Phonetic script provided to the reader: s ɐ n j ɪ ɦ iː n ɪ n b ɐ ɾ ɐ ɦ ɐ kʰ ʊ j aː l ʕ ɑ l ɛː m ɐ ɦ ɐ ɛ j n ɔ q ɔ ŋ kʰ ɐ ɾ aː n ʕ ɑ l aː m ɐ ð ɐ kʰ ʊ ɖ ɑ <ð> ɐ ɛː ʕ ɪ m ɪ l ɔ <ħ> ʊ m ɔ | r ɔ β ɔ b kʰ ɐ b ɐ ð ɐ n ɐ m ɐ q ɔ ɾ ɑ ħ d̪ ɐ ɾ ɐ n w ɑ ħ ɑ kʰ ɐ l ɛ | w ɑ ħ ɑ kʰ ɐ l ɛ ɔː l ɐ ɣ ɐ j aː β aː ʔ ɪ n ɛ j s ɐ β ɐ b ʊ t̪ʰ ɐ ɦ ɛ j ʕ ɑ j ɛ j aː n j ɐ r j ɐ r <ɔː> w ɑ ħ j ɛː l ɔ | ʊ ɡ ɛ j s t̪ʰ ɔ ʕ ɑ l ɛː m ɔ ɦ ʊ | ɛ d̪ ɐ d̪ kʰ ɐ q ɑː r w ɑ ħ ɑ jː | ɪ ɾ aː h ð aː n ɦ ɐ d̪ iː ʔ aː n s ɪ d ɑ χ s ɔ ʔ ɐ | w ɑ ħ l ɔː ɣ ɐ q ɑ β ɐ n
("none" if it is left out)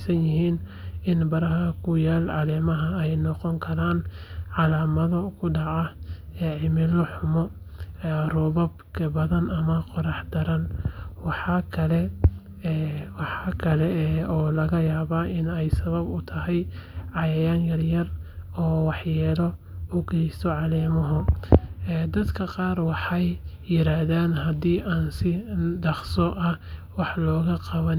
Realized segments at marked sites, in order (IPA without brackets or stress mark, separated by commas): ʕ, ħ, ɔː